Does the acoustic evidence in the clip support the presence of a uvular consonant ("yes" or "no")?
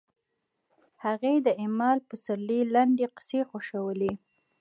yes